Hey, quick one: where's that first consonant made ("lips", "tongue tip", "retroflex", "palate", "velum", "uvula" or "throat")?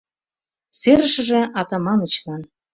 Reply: tongue tip